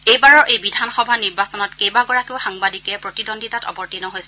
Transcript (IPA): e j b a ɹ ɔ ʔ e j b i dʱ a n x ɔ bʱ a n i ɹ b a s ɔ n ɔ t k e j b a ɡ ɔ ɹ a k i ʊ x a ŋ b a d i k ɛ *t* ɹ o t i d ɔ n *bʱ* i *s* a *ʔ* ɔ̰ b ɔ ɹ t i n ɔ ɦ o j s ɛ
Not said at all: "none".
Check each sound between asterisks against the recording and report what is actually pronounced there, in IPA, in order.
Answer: p, dʱ, t, t

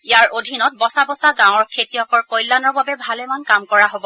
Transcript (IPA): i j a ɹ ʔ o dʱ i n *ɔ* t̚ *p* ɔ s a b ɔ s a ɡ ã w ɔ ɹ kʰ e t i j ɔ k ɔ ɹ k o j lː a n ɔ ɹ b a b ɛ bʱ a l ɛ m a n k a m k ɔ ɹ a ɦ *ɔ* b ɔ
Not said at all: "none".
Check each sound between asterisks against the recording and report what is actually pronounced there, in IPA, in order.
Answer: ɔ, b, o

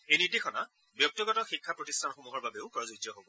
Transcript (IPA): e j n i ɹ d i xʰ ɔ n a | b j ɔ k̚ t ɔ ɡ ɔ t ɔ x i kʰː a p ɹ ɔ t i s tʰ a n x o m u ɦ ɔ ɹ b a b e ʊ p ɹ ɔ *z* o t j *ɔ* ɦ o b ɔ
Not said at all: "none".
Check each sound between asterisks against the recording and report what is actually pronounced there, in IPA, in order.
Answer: z, ɔ

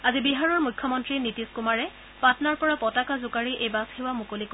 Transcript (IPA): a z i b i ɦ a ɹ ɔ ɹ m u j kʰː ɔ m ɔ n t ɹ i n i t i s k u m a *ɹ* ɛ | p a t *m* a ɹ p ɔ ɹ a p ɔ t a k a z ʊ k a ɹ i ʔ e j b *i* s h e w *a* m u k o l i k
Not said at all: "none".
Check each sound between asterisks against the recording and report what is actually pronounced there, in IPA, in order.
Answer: ɹ, n, a, a

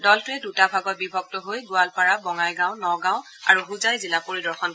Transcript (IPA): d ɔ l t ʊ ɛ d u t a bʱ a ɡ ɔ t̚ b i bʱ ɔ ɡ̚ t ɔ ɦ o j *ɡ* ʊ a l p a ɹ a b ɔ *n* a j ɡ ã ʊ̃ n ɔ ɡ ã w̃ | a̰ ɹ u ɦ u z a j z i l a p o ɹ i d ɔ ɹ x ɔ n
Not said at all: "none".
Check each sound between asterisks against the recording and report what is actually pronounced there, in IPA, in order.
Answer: ɡ, ŋ

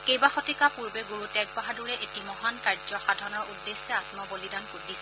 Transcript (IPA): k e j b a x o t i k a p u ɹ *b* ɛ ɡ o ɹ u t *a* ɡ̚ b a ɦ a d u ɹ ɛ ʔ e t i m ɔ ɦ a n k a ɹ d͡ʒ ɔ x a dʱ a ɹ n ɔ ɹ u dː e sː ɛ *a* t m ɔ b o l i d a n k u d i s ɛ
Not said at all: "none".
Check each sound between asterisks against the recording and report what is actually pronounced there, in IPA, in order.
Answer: b, ɛ, a

